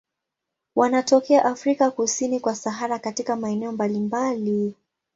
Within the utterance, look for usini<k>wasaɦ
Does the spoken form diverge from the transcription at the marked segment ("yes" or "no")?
no